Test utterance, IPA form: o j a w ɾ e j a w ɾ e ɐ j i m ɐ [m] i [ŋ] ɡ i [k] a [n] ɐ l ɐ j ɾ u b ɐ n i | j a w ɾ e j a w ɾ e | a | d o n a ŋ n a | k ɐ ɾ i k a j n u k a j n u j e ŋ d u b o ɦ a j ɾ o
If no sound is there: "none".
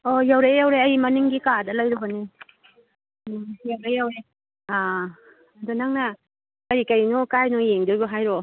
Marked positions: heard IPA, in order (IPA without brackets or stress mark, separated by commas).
n, ŋ, k, d